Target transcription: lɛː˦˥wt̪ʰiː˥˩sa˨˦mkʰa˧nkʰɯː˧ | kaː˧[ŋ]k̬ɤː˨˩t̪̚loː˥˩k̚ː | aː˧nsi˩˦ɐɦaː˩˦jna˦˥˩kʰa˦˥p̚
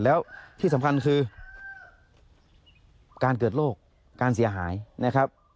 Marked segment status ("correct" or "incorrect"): incorrect